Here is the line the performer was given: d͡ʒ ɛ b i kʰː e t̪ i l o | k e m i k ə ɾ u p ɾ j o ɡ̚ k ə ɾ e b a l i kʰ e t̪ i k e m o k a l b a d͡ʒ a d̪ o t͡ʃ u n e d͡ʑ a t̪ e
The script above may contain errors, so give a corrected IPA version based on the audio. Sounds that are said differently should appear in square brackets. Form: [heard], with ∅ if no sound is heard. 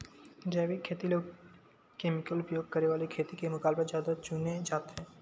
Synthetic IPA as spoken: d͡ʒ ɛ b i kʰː e t̪ i l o | k e m i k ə [l] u p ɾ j o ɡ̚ k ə ɾ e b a l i kʰ e t̪ i k e m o k a l b a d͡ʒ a d̪ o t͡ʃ u n e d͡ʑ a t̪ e